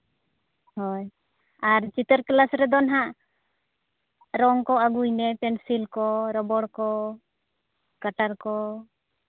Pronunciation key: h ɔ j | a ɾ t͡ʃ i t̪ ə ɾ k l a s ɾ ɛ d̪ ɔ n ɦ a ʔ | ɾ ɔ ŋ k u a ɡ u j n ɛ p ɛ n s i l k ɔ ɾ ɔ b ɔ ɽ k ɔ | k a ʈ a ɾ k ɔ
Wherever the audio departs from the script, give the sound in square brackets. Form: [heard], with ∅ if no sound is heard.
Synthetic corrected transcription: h ɔ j | a ɾ t͡ʃ i t̪ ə ɾ k l a s ɾ ɛ d̪ ɔ n ɦ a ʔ | ɾ ɔ ŋ k [ɔ] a ɡ u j n ɛ p ɛ n s i l k ɔ ɾ ɔ b ɔ ɽ k ɔ | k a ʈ a ɾ k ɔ